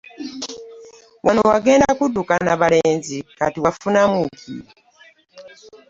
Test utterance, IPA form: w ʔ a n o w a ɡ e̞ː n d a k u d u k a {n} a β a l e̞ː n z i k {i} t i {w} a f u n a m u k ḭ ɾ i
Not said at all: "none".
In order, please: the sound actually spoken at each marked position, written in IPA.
n, a, w

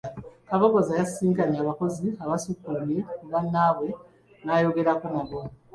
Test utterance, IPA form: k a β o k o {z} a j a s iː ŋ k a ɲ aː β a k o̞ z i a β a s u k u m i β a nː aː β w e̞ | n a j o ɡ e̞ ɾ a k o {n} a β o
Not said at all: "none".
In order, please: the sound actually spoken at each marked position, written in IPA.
z, n

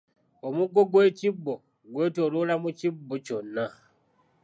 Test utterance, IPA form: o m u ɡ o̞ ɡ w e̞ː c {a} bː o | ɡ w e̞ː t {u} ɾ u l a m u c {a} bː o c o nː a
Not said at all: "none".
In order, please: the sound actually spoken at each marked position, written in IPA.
i, o, i

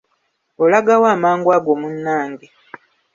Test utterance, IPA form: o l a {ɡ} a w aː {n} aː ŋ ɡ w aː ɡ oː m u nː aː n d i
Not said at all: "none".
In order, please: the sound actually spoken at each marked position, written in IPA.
ɡ, m

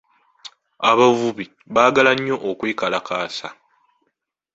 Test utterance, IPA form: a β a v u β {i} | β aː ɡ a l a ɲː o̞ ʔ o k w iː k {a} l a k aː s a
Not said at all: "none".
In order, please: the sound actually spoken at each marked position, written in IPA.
i, a

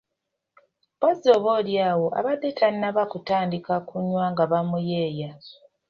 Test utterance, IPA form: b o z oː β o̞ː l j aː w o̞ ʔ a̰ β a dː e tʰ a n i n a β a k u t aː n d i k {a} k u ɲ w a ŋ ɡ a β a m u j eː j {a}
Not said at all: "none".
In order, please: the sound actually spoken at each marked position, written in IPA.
a, a

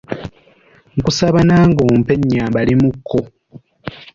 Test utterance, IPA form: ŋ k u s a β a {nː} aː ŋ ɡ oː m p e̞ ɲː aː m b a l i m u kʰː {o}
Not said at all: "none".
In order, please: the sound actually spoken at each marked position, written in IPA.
n, o

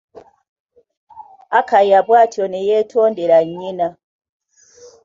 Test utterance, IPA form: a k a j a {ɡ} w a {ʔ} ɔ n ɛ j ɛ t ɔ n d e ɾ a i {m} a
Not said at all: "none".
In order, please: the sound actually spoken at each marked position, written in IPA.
b, t, n

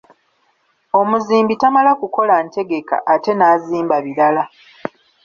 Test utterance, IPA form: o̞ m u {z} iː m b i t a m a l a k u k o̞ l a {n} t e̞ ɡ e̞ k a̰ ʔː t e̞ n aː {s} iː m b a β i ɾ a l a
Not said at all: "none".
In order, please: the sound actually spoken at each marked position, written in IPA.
z, n, z

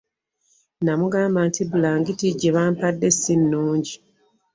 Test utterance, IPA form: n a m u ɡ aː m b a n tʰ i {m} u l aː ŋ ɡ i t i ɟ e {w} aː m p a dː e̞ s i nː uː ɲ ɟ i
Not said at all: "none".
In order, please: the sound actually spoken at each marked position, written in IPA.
b, β

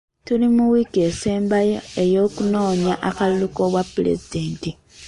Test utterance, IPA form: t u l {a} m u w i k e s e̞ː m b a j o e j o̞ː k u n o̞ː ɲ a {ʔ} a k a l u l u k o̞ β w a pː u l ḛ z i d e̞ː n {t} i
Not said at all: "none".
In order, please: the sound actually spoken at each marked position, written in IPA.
i, ʔ, t

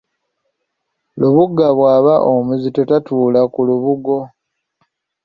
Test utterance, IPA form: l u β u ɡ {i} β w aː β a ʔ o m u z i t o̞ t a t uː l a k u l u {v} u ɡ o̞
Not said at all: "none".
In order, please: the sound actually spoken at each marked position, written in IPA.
a, β

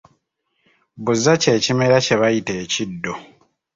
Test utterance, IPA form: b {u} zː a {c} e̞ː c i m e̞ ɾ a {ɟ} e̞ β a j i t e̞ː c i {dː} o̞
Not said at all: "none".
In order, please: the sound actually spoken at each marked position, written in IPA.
u, c, c, dː

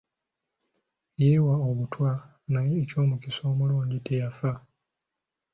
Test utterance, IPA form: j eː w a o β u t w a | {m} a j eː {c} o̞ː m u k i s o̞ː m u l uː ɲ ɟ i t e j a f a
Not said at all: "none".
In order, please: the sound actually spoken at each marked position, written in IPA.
n, c

